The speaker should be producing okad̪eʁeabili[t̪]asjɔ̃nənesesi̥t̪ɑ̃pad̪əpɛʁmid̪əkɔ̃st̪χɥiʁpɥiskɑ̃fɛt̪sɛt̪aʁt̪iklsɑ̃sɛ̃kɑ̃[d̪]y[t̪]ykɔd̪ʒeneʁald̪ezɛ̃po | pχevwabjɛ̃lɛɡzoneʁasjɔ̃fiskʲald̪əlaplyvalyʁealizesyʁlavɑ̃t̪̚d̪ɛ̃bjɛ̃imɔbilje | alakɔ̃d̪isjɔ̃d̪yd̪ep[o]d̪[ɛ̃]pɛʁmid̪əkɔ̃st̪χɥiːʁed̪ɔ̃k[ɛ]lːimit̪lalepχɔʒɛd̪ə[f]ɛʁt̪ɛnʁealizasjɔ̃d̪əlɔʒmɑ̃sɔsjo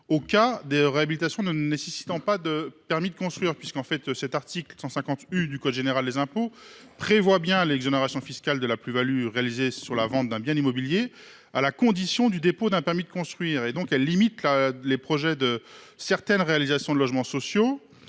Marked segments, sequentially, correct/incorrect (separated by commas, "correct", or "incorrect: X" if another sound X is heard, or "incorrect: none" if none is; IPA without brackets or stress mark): correct, incorrect: t̪, incorrect: d̪, correct, correct, correct, incorrect: s